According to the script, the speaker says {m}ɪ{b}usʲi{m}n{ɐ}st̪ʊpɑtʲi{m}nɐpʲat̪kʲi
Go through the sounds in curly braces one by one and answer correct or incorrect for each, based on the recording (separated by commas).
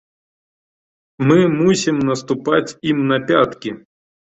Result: correct, incorrect, correct, correct, correct